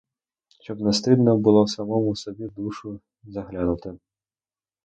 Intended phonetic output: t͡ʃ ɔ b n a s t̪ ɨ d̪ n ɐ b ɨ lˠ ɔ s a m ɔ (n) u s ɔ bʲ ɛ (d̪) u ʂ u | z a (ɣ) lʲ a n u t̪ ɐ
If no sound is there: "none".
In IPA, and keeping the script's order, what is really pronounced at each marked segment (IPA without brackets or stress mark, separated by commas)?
m, d̪, ɣ